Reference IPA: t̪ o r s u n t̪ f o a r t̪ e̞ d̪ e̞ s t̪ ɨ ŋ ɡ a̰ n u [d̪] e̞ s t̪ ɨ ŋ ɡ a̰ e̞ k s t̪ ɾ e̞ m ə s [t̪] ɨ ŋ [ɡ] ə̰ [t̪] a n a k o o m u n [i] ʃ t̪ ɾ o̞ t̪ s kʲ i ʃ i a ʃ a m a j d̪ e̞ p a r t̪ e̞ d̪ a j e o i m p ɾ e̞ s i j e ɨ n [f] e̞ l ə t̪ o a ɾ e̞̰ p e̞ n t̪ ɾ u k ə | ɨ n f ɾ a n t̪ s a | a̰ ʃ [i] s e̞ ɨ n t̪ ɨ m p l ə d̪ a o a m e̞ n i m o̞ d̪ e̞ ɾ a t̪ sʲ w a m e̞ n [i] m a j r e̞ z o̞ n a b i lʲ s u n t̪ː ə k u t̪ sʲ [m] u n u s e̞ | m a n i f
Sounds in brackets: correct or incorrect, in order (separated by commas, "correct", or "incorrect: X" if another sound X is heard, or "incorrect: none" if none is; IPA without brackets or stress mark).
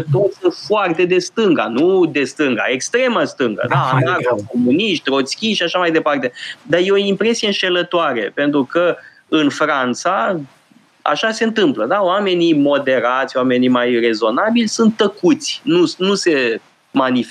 correct, correct, correct, incorrect: d̪, correct, incorrect: ʃ, incorrect: a, correct, incorrect: n